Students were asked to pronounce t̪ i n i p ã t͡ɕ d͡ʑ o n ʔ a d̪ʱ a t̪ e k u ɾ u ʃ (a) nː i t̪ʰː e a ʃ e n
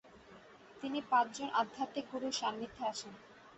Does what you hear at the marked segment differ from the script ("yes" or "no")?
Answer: no